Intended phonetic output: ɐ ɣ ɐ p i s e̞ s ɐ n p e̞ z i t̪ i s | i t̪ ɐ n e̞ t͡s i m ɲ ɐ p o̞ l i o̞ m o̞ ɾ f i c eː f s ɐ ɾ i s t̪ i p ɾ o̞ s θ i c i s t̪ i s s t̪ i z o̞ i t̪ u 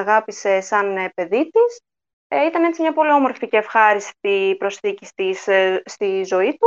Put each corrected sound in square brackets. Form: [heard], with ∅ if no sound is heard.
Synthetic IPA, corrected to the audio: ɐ ɣ ɐ p i s e̞ s ɐ n p e̞ [ð] i t̪ i s | i t̪ ɐ n e̞ t͡s i m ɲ ɐ p o̞ l i o̞ m o̞ ɾ f i c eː f [x] ɐ ɾ i s t̪ i p ɾ o̞ s θ i c i s t̪ i s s t̪ i z o̞ i t̪ u